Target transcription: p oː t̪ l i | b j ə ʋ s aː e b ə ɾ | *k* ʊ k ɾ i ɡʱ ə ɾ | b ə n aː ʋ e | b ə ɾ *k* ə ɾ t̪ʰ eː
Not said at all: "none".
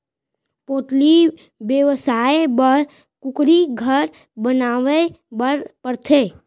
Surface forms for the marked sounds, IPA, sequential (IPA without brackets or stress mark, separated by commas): k, p